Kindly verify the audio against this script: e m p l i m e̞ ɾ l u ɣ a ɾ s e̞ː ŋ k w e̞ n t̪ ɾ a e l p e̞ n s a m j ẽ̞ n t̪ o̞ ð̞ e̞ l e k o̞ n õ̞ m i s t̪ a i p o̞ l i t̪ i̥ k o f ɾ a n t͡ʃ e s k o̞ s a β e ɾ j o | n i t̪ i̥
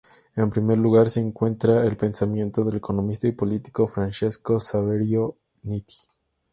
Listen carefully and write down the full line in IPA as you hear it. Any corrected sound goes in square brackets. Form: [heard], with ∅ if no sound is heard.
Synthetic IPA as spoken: e m p [ɾ] i m e̞ ɾ l u ɣ a ɾ s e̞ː ŋ k w e̞ n t̪ ɾ a e l p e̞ n s a m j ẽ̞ n t̪ o̞ ð̞ e̞ l e k o̞ n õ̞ m i s t̪ a i p o̞ l i t̪ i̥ k o f ɾ a n t͡ʃ e s k o̞ s a β e ɾ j o | n i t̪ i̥